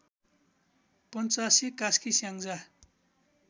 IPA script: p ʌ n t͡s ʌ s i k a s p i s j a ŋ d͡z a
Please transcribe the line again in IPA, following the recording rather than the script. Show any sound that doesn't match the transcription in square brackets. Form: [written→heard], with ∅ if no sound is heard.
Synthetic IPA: p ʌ n t͡s [ʌ→a] s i k a s [p→k] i s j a ŋ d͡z a